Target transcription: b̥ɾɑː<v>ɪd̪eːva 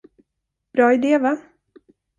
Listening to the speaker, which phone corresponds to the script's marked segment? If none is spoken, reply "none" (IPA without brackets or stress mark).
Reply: none